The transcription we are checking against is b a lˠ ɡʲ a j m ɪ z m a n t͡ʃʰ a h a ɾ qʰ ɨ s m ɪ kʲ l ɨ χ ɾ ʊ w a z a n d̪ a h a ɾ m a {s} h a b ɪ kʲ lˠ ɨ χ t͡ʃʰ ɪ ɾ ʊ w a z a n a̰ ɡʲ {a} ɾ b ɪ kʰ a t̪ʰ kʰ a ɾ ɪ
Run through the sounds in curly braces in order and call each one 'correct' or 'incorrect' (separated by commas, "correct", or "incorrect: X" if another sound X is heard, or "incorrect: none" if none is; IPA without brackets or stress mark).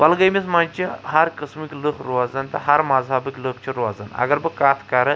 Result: incorrect: z, correct